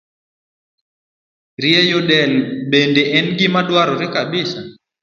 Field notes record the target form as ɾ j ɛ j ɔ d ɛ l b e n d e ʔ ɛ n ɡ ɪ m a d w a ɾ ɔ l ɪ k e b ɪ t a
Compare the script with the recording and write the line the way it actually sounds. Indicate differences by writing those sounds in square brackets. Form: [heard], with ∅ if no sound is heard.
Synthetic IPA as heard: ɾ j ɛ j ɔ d ɛ l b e n d e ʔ ɛ n ɡ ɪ m a d w a ɾ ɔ [ɾ] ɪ k [a] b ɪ [s] a